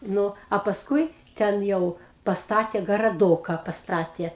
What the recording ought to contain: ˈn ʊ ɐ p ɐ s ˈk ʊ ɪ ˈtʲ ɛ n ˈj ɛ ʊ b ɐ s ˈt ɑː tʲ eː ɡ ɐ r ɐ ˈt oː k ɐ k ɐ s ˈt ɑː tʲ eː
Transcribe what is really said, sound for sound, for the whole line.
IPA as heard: ˈn ʊ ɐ p ɐ s ˈk ʊ ɪ ˈtʲ ɛ n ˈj ɛ ʊ p ɐ s ˈt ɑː tʲ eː ɡ ɐ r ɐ ˈd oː k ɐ p ɐ s ˈt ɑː tʲ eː